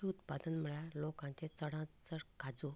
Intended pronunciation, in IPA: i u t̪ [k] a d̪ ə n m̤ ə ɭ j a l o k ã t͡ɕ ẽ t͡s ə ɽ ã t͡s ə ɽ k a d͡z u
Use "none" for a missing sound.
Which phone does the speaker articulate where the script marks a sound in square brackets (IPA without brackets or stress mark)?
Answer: p